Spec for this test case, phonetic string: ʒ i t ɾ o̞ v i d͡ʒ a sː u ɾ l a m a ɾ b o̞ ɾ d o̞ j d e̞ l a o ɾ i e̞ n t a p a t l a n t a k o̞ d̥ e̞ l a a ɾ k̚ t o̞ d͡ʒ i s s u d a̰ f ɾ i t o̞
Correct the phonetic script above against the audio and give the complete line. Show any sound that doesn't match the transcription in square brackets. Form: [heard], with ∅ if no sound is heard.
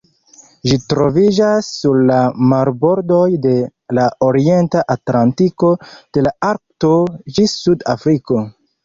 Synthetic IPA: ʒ i t ɾ o̞ v i d͡ʒ a sː u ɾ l a m a ɾ b o̞ ɾ d o̞ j d e̞ l a o ɾ i e̞ n t a [ʔ] a t l a n t [i] k o̞ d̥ e̞ l a a ɾ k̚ t o̞ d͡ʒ i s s u d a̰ f ɾ i [k] o̞

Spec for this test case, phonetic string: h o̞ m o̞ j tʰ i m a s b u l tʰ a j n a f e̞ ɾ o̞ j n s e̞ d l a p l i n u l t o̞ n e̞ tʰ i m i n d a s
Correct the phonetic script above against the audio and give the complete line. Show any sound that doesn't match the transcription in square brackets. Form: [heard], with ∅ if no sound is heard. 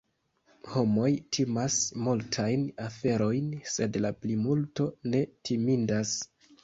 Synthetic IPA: h o̞ m o̞ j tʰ i m a s [m] u l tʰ a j n a f e̞ ɾ o̞ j n s e̞ d l a p l i [m] u l t o̞ n e̞ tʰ i m i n d a s

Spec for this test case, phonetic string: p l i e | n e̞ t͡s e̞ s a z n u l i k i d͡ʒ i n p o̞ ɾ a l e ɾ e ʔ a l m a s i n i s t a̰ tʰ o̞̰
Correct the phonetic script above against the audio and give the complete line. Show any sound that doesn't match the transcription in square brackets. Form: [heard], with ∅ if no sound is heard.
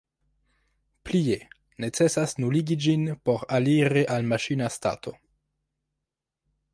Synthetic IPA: p l i e | n e̞ t͡s e̞ s a [s] n u l i [ɡ] i d͡ʒ i n p o̞ ɾ a l [i] ɾ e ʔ a l m a [ʃ] i n [a] s t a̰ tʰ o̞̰

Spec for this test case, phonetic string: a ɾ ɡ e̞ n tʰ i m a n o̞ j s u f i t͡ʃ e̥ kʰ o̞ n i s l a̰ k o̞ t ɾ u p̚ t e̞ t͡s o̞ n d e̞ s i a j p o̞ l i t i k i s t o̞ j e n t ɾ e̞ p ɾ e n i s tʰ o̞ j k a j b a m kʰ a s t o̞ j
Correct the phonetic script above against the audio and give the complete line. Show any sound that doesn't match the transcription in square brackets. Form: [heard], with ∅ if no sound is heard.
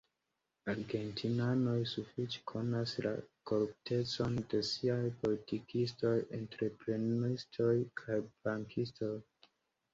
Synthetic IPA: a ɾ ɡ e̞ n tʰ i [n] a n o̞ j s u f i t͡ʃ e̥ kʰ o̞ n [a] s l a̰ k o̞ [∅] ɾ u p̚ t e̞ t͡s o̞ n d e̞ s i a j p o̞ l i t i k i s t o̞ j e n t ɾ e̞ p ɾ e n i s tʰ o̞ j [kʰ] a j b a [ŋ] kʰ [i] s t o̞ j

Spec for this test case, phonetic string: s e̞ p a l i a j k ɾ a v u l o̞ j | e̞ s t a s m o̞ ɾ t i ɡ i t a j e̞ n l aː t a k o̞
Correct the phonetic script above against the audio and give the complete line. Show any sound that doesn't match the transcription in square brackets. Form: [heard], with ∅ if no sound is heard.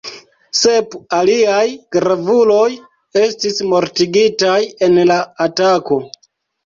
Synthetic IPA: s e̞ p a l i a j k ɾ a v u l o̞ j | e̞ s t [i] s m o̞ ɾ t i ɡ i t a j e̞ n l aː t a k o̞

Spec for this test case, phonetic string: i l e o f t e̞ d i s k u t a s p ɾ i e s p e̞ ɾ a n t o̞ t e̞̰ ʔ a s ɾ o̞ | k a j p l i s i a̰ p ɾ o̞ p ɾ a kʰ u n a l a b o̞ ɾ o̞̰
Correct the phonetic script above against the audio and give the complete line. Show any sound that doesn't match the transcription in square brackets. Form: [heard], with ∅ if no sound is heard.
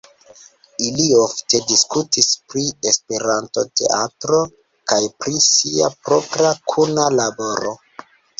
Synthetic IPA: i l [i] o f t e̞ d i s k u t [i] s p ɾ i e s p e̞ ɾ a n t o̞ t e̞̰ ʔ a [t] ɾ o̞ | k a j p [ɾ] i s i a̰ p ɾ o̞ p ɾ a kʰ u n a l a b o̞ ɾ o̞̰

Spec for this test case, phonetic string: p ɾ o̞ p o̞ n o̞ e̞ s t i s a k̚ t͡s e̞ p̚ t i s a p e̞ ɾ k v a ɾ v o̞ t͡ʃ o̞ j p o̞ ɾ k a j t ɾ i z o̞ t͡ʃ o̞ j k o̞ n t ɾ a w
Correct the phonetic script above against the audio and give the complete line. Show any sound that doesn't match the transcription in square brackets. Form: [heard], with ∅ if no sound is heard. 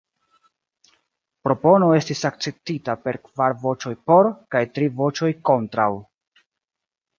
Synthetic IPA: p ɾ o̞ p o̞ n o̞ e̞ s t i s a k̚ t͡s e̞ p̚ t i [t] a p e̞ ɾ k v a ɾ v o̞ t͡ʃ o̞ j p o̞ ɾ k a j t ɾ i [v] o̞ t͡ʃ o̞ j k o̞ n t ɾ a w

